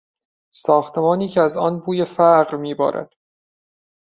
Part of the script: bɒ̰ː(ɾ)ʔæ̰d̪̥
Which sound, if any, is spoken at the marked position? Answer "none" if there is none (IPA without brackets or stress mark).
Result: ɾ